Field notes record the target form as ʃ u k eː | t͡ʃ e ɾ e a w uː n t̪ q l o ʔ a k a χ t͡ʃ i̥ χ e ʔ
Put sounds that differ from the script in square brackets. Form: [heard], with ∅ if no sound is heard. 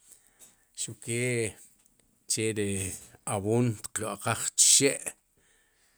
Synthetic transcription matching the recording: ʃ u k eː | t͡ʃ e ɾ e a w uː n t̪ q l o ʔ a [q] a χ t͡ʃ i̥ [ʃ] e ʔ